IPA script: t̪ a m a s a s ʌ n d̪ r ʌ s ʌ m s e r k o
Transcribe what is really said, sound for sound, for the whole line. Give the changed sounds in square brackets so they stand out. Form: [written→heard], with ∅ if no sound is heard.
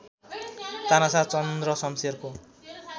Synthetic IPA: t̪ a [m→n] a s a [s→t͡s] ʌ n d̪ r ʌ s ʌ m s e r k o

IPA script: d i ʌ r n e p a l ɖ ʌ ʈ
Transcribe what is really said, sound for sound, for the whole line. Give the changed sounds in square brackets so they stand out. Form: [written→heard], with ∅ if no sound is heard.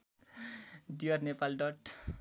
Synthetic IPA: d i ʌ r n e p a l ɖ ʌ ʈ

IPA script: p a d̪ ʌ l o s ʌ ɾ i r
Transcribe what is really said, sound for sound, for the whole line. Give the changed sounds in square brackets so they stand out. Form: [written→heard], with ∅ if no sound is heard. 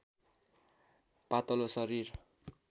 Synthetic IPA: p a [d̪→t̪] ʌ l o s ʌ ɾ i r

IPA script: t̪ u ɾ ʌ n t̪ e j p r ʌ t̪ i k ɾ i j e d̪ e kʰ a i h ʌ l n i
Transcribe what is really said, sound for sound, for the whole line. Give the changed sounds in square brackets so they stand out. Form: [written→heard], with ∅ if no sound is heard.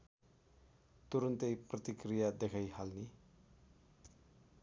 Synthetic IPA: t̪ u ɾ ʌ n t̪ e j p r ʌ t̪ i k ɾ i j [e→a] d̪ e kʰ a [i→j] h [ʌ→a] l n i

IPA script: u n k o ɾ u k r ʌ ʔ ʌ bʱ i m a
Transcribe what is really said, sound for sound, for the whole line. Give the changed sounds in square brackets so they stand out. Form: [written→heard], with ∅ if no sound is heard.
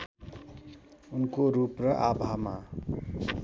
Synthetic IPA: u n k o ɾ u [k→p] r ʌ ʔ [ʌ→a] bʱ [i→a] m a

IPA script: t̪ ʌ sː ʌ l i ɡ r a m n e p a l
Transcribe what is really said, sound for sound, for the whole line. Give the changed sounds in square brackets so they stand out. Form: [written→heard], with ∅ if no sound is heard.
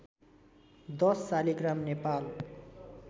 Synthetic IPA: [t̪→d̪] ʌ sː [ʌ→a] l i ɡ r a m n e p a l

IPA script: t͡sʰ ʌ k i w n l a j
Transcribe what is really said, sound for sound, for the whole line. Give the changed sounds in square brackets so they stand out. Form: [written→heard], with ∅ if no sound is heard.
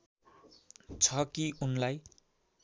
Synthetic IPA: t͡sʰ ʌ k i [w→u] n l a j

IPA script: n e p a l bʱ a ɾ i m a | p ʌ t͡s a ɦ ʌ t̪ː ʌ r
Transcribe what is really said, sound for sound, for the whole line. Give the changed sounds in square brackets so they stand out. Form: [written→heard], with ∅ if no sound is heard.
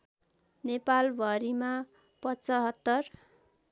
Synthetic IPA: n e p a l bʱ [a→ʌ] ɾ i m a | p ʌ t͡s [a→ʌ] ɦ ʌ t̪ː ʌ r

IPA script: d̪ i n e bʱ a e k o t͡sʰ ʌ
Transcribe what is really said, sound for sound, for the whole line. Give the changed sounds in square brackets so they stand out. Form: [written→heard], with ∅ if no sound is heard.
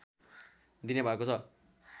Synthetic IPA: d̪ i n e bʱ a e k o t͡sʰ ʌ

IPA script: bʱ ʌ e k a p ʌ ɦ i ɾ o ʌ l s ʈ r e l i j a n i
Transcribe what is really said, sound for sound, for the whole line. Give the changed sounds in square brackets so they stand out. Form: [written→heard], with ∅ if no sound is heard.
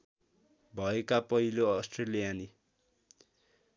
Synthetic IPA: bʱ ʌ e k a p ʌ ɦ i [ɾ→l] o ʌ [l→∅] s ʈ r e l i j a n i

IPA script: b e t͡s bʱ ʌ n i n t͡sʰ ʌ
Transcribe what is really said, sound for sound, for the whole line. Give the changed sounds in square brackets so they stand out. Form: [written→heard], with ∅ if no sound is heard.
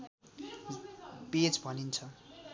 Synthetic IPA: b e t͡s bʱ ʌ n i n t͡sʰ ʌ

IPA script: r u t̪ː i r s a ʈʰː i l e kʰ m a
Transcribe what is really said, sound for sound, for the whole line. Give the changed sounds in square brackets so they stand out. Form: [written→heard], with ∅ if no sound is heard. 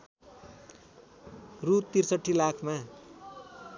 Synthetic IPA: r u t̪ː i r s [a→ʌ] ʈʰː i l [e→a] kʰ m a

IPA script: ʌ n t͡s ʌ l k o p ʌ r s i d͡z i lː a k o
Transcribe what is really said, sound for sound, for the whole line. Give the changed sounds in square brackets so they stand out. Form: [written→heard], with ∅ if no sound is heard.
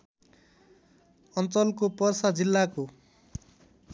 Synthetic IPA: ʌ n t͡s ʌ l k o p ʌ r s [i→a] d͡z i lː a k o

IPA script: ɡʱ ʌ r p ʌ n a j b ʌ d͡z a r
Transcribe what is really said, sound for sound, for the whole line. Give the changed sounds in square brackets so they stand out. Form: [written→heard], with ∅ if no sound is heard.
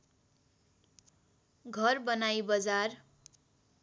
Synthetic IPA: ɡʱ ʌ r [p→b] ʌ n a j b ʌ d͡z a r

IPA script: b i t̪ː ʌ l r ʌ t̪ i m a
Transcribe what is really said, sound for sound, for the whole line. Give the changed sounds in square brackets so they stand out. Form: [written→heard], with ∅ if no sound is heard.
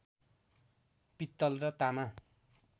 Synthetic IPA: [b→p] i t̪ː ʌ l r ʌ t̪ [i→a] m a

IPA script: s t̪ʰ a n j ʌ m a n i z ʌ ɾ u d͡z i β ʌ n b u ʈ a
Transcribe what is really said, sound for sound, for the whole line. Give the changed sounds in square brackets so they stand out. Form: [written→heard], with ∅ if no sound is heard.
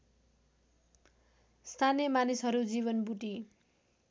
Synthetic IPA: s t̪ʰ a n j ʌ m a n i [z→s] ʌ ɾ u d͡z i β ʌ n b u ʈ [a→i]

